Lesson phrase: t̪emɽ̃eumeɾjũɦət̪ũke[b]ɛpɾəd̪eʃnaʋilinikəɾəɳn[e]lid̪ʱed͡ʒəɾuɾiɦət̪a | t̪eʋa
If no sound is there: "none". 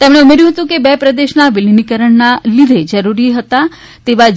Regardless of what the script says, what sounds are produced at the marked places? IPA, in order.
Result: b, a

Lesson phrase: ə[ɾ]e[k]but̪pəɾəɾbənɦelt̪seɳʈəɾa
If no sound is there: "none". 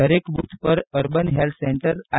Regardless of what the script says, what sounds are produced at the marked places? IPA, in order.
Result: ɾ, k

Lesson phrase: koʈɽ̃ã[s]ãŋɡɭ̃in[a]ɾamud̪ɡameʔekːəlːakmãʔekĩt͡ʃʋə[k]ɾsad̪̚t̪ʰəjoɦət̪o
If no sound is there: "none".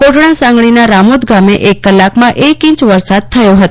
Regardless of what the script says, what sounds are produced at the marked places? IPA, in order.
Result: s, a, none

